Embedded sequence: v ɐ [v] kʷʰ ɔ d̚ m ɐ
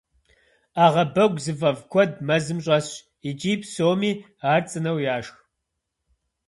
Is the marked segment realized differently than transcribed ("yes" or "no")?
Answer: no